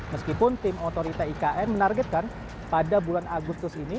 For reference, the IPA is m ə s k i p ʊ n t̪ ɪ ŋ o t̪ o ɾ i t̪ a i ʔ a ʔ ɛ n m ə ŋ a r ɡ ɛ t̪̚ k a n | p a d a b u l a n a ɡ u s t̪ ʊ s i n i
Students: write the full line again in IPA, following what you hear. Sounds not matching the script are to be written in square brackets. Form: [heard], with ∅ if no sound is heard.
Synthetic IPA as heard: m ə s k i p ʊ n t̪ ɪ [m] o t̪ o ɾ i t̪ a i [k] a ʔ ɛ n m ə [n] a r ɡ ɛ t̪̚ k a n | p a d a b u l a n a ɡ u s t̪ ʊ s i n i